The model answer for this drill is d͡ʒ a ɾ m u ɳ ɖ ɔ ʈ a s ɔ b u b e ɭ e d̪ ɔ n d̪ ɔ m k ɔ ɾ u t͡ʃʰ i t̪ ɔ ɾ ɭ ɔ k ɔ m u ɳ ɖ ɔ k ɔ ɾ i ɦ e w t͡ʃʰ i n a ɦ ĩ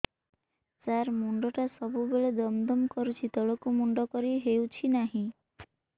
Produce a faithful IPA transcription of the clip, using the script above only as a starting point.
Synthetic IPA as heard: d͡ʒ a ɾ m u ɳ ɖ ɔ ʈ a s ɔ b u b e ɭ e d̪ ɔ m d̪ ɔ m k ɔ ɾ u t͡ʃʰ i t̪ ɔ ɭ ɔ k u m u ɳ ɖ ɔ k ɔ ɾ i ɦ e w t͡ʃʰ i n a ɦ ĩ